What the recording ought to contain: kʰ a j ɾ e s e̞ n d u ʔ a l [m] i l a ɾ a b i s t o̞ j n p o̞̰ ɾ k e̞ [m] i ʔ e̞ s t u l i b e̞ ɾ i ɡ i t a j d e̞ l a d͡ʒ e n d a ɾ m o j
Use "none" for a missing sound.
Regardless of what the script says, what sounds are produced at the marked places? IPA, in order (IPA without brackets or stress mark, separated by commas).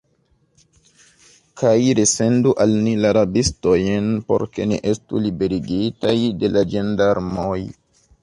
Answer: n, n